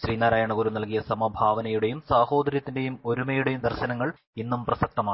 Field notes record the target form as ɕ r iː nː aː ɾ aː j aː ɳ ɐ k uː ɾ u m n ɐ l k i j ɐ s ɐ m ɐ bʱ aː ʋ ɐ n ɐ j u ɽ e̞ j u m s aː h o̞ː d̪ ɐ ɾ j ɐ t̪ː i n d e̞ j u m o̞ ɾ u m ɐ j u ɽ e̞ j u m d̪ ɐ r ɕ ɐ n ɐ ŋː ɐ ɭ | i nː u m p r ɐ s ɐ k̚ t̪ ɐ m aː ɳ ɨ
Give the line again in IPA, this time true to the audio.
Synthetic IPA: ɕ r iː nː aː ɾ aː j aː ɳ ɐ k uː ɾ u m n ɐ l k i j ɐ s ɐ m ɐ bʱ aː ʋ ɐ n ɐ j u ɽ e̞ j u m s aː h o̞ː d̪ ɐ ɾ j ɐ t̪ː i n d e̞ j u m o̞ ɾ u m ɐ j u ɽ e̞ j u m d̪ ɐ r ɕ ɐ n ɐ ŋː ɐ ɭ | i nː u m p r ɐ s ɐ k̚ t̪ ɐ m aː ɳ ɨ